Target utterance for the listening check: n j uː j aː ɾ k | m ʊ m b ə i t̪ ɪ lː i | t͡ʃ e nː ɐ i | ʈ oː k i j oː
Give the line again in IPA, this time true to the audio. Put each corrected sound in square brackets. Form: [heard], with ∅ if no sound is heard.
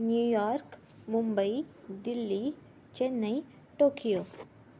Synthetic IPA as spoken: n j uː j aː ɾ k | m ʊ m b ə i [d̪] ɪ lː i | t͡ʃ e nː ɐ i | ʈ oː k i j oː

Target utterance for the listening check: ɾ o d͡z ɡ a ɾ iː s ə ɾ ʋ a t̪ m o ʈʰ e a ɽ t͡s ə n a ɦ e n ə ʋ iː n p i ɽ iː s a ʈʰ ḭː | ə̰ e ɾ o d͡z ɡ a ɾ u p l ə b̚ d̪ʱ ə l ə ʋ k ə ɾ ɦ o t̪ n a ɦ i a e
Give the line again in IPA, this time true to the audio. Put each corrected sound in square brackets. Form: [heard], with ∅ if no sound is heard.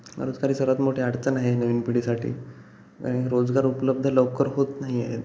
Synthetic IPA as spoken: ɾ o d͡z ɡ a ɾ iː s ə ɾ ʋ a t̪ m o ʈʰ e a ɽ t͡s ə n a ɦ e n ə ʋ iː n p i ɽ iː s a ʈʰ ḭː | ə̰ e ɾ o d͡z ɡ a ɾ u p l ə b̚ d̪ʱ ə l ə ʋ k ə ɾ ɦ o t̪ n a ɦ i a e

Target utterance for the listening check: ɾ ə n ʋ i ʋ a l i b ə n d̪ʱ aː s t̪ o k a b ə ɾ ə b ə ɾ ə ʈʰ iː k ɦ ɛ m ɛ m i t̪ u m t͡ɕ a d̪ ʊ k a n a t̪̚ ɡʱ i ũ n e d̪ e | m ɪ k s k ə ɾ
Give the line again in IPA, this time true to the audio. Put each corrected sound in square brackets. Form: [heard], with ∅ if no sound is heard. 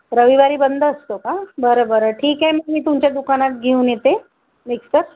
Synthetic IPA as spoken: ɾ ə [∅] ʋ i ʋ a [ɾ] i b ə n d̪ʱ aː s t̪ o k a b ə ɾ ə b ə ɾ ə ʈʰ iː k ɦ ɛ m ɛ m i t̪ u m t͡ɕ a d̪ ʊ k a n a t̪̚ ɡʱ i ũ n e [t̪] e | m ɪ k s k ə ɾ

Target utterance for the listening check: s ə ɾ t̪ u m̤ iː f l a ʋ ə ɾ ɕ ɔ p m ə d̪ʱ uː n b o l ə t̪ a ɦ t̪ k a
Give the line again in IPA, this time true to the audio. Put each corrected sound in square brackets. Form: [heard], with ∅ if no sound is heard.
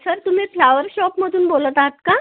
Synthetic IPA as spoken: s ə ɾ t̪ u m̤ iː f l a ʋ ə ɾ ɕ ɔ p m ə d̪ʱ uː n b o l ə t̪ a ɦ t̪ k a

